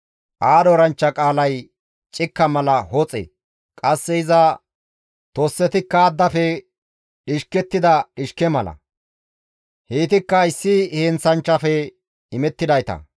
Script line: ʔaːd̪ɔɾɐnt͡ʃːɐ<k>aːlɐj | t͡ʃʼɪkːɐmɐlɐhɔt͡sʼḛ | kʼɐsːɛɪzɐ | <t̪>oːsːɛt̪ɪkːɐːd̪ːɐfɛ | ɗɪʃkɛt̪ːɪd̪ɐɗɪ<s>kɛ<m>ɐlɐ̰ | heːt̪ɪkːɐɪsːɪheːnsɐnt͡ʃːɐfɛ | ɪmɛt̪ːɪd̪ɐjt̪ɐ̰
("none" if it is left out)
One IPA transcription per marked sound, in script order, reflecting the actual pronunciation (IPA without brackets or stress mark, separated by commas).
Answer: kʼ, t̪, ʃ, m